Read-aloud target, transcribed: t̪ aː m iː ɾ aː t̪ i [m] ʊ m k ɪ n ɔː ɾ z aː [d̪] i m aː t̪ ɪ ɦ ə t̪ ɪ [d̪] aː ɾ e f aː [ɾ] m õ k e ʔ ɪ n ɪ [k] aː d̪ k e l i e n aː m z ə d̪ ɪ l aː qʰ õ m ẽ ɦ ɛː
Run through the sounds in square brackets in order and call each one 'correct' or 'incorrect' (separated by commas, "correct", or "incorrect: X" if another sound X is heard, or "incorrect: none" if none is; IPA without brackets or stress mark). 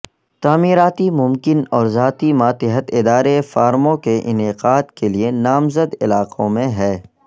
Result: correct, incorrect: t̪, correct, correct, incorrect: q